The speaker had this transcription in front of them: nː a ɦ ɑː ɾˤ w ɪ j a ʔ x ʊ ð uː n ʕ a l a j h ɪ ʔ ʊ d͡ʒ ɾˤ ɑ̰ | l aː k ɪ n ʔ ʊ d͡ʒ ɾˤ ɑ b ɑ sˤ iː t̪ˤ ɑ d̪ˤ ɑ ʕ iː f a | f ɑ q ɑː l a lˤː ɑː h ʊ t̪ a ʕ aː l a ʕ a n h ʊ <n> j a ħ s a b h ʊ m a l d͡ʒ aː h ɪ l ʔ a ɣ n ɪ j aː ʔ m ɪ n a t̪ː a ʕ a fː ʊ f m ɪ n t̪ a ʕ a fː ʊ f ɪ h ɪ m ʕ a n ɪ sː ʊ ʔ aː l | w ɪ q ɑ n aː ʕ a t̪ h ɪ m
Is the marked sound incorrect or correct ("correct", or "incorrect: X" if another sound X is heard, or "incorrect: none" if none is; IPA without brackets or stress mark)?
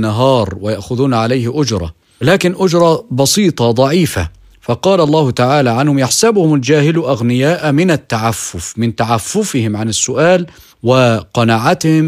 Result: incorrect: m